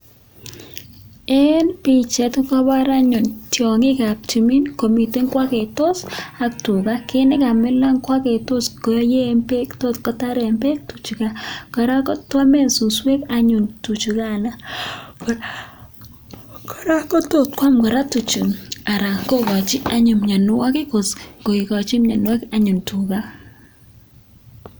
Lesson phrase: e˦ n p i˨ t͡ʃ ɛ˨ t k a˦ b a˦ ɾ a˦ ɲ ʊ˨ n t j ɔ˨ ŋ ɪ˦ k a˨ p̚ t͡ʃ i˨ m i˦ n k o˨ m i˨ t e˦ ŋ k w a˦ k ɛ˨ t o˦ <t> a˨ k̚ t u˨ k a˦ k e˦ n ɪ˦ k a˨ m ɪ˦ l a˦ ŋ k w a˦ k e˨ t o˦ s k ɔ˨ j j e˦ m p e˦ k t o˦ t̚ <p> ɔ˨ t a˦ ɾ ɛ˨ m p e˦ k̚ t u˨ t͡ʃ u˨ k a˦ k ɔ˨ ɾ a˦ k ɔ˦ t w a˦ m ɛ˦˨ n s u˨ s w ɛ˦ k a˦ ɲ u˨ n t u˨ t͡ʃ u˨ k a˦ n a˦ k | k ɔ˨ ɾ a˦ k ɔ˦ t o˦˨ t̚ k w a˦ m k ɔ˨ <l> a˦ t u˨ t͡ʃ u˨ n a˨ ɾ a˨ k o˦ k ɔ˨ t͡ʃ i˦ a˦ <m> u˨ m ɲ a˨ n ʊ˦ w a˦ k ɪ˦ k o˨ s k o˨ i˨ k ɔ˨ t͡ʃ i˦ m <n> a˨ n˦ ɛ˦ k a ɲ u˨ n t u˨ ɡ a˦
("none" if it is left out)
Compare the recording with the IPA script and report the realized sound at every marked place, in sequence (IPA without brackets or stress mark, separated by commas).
s, k, ɾ, ɲ, ɲ